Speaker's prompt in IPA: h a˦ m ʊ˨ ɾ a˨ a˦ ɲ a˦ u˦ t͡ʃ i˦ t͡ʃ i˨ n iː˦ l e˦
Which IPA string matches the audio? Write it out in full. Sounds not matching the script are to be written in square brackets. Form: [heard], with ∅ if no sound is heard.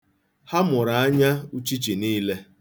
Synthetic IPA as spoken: h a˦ m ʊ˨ ɾ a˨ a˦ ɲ a˦ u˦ t͡ʃ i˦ t͡ʃ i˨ n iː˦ l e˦